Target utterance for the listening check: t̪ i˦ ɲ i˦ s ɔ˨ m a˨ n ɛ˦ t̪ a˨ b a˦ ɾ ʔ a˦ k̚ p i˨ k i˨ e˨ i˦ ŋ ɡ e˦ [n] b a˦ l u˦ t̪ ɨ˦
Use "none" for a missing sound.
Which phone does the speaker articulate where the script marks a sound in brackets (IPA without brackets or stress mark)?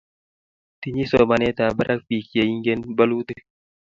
n